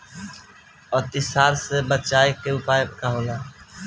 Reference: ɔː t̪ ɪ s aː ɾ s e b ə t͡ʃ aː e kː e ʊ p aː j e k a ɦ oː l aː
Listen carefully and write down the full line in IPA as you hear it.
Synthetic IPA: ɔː t̪ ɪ s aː ɾ s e b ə t͡ʃ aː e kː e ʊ p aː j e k a ɦ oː l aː